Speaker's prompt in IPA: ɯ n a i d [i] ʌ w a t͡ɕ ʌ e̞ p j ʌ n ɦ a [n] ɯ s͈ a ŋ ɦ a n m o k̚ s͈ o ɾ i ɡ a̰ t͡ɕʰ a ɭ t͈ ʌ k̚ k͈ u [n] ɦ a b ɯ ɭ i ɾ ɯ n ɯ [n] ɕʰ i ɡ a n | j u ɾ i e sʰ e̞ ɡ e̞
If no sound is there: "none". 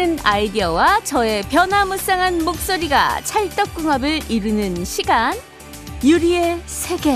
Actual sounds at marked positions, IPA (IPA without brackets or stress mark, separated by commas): i, m, ŋ, n